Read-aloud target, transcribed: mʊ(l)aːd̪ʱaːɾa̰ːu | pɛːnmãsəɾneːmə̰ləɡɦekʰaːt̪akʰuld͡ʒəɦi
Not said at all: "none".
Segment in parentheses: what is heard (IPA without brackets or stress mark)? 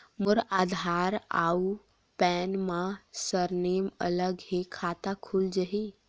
ɾ